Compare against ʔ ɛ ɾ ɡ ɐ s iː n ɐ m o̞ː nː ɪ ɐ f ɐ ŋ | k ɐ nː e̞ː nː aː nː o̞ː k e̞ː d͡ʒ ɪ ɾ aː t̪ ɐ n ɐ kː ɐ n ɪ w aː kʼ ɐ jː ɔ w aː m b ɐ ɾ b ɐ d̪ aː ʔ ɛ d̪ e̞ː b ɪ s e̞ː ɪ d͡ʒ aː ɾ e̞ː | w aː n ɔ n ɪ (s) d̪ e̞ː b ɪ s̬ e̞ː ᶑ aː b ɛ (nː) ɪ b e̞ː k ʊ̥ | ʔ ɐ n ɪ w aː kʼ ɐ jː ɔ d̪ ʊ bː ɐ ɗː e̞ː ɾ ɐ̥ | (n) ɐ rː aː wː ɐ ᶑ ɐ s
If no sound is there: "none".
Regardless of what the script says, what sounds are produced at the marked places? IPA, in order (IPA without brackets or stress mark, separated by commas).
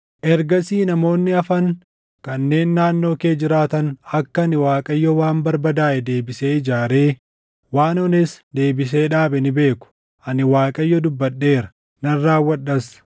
s, n, n